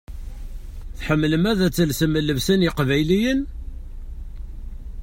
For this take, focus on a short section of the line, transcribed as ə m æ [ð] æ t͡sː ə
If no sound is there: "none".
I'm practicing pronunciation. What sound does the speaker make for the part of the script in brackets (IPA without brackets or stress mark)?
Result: ð